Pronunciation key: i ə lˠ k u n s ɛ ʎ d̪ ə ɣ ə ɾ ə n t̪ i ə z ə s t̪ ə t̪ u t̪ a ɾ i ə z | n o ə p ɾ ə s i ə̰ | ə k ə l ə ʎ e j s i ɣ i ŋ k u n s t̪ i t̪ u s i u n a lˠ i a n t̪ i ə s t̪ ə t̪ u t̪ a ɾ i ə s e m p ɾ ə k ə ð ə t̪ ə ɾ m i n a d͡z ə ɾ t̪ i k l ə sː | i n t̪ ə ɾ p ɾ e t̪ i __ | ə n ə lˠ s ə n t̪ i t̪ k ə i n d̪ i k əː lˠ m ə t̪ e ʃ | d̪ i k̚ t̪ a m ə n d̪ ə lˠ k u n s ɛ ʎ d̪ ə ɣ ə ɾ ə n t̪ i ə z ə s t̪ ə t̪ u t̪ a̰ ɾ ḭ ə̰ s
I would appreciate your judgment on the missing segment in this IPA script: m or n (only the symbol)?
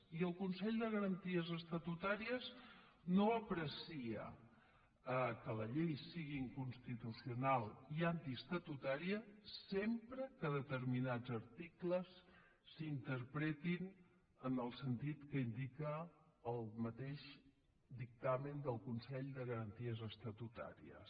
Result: n